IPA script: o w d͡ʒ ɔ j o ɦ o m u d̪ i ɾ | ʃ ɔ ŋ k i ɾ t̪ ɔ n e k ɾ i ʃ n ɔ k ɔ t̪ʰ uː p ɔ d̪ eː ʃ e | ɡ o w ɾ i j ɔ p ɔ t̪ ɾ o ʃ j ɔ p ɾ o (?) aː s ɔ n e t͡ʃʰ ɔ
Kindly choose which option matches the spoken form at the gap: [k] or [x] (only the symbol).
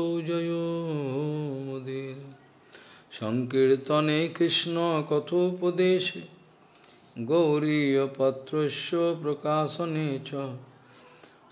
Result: k